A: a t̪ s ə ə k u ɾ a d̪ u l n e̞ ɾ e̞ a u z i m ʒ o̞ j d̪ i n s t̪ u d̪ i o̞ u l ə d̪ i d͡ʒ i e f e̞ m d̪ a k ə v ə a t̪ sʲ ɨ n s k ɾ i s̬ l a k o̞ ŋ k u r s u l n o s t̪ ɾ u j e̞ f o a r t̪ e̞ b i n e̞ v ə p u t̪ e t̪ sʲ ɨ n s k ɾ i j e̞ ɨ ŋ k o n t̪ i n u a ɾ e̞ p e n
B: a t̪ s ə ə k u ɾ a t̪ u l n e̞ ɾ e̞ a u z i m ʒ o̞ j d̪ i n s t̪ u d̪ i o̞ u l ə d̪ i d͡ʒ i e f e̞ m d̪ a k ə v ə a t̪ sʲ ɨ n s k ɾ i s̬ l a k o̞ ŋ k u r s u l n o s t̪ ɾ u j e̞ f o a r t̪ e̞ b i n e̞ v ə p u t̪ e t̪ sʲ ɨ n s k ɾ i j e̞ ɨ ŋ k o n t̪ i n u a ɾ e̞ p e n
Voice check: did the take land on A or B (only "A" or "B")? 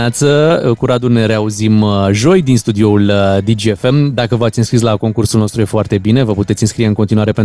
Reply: A